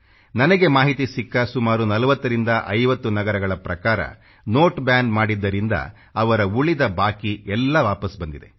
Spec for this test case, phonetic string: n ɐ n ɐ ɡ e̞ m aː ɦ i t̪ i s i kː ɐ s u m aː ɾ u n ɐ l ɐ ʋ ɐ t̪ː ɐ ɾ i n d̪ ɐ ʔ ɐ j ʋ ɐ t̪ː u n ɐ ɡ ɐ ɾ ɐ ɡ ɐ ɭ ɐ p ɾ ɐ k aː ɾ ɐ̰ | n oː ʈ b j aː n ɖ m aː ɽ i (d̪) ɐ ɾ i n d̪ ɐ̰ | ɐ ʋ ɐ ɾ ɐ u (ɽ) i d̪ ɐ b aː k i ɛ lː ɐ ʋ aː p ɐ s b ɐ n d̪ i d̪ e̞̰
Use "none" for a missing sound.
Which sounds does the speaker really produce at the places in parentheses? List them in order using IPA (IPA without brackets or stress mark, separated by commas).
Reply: d̪ː, ɭ